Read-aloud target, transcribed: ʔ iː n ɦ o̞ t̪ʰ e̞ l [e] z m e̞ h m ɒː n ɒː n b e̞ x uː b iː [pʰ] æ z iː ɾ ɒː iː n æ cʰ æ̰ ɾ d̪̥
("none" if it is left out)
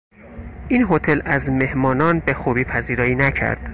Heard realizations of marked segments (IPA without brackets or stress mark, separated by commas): æ, pʰ